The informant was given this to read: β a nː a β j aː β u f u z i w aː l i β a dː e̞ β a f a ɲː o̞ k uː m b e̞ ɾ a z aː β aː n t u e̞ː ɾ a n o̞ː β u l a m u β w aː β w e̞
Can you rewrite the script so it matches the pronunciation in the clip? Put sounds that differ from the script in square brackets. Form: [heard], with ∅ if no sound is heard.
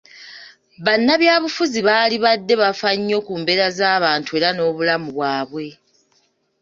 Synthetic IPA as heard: β a nː a β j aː β u f u z i [β] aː l i β a dː e̞ β a f a ɲː o̞ k uː m b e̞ ɾ a z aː β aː n t u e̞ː ɾ a n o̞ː β u l a m u β w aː β w e̞